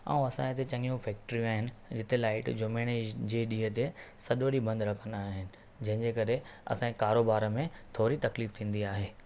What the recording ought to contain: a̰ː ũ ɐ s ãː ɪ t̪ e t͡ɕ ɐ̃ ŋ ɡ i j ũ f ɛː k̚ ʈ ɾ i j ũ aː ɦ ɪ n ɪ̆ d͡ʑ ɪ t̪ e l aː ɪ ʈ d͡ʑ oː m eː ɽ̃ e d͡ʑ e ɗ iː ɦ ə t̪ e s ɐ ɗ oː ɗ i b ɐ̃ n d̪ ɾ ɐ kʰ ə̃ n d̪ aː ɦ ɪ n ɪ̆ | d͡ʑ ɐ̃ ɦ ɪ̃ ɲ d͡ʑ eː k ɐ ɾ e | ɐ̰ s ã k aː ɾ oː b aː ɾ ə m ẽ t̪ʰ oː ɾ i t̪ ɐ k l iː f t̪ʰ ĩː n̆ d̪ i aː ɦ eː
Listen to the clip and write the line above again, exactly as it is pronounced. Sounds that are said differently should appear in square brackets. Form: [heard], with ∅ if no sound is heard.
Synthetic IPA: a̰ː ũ ɐ s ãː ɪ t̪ e t͡ɕ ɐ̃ ŋ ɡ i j ũ f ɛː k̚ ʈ ɾ i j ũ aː ɦ ɪ n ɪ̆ d͡ʑ ɪ t̪ e l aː ɪ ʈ d͡ʑ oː m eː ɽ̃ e d͡ʑ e ɗ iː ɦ ə t̪ e s ɐ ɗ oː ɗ i b ɐ̃ n d̪ ɾ ɐ kʰ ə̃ n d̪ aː ɦ ɪ n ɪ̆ | d͡ʑ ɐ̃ ɦ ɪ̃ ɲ d͡ʑ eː k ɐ ɾ e | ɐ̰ s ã k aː ɾ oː b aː ɾ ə m ẽ t̪ʰ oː ɾ i t̪ ɐ k l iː f t̪ʰ ĩː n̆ d̪ i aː ɦ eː